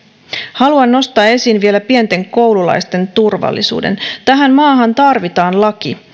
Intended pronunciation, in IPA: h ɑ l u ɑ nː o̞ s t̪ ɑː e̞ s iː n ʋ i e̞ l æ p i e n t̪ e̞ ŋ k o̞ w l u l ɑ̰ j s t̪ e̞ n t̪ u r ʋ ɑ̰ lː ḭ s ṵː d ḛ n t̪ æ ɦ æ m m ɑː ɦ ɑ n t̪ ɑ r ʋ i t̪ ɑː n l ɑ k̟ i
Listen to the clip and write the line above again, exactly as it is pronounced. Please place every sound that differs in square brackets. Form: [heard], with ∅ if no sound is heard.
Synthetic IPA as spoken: h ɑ l u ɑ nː o̞ s t̪ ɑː e̞ s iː n ʋ i e̞ l æ p i e n t̪ e̞ ŋ k o̞ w l u l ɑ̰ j s t̪ e̞ n t̪ u r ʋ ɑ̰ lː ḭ s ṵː d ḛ n t̪ æ ɦ æ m m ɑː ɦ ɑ n t̪ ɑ r ʋ i t̪ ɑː n l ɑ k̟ i